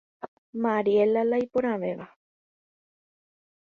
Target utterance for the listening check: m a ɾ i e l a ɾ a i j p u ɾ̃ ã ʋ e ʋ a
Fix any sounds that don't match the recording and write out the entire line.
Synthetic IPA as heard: m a ɾ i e l a l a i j p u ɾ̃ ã ʋ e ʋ a